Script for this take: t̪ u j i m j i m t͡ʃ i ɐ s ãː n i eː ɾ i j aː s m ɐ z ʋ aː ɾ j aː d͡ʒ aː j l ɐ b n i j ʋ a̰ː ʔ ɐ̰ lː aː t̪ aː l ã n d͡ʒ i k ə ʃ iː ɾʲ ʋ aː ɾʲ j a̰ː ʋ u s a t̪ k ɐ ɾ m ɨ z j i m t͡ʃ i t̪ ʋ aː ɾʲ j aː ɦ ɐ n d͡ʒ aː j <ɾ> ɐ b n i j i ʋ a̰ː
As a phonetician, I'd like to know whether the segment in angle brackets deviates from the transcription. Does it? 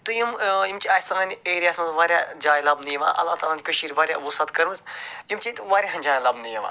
yes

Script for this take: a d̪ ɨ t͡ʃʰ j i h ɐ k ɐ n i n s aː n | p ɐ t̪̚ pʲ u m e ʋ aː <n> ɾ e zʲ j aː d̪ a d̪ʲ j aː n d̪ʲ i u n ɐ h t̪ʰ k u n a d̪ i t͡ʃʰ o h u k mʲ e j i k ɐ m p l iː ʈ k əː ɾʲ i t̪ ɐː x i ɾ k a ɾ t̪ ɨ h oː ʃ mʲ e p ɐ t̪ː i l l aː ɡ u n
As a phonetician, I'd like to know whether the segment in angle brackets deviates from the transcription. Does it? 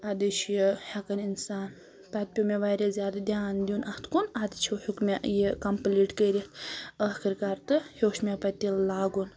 yes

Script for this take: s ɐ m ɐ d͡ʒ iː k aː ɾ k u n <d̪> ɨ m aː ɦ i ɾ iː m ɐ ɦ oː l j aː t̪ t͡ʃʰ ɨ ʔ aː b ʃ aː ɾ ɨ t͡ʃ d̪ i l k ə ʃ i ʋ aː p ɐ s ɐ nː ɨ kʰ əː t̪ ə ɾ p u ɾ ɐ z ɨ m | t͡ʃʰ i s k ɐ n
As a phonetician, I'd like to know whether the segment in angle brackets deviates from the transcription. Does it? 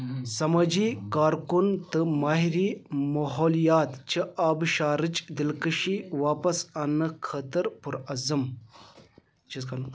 yes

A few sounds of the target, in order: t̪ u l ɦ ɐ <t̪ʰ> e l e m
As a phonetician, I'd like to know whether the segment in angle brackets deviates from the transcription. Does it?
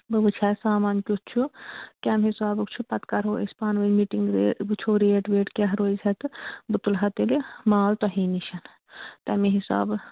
yes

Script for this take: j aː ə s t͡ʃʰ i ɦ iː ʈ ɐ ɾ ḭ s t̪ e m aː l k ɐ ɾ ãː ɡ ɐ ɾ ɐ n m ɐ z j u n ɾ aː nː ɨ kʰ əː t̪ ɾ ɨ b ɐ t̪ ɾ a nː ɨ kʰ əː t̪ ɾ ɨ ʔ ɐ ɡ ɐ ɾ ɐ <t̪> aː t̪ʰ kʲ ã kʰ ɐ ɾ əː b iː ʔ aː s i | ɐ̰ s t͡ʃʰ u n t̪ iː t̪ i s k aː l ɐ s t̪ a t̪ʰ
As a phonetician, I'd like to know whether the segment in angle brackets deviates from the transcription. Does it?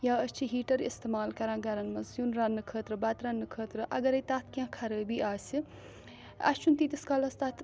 no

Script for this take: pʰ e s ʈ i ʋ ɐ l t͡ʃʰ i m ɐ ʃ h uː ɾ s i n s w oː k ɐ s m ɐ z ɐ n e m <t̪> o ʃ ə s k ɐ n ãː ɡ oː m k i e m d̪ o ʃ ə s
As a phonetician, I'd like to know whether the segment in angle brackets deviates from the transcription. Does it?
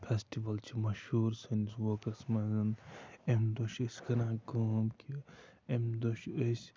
yes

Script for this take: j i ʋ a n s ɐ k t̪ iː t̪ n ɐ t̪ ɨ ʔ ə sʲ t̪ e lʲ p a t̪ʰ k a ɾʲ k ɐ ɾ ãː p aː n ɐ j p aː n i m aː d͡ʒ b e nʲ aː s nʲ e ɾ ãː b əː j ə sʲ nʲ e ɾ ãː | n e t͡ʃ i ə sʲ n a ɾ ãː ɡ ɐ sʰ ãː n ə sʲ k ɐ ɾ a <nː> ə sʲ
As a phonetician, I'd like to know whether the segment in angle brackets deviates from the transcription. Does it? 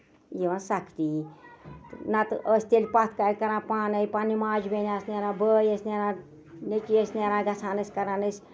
yes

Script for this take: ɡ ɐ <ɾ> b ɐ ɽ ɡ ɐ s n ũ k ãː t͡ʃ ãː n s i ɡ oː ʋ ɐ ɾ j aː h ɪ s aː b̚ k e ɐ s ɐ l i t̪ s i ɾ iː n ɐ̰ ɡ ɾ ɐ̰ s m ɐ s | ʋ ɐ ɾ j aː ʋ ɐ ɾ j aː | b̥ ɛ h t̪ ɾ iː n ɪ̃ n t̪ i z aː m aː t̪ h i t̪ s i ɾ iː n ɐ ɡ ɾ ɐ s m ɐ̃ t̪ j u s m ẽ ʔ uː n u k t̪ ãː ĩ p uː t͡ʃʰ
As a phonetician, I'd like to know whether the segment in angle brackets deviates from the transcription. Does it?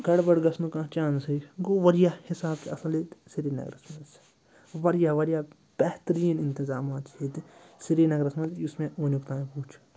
yes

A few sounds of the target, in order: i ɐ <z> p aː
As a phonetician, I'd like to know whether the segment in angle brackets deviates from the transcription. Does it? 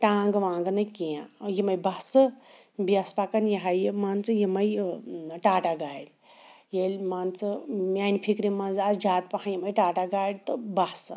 yes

